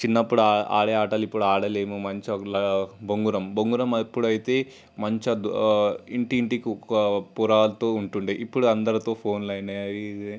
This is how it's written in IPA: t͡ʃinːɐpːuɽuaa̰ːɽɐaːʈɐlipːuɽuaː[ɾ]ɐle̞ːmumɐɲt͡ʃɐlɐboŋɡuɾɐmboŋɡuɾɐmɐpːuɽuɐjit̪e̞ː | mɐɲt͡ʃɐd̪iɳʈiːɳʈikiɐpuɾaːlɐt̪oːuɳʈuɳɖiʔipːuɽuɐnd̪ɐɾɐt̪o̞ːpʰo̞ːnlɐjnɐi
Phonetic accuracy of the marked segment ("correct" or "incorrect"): incorrect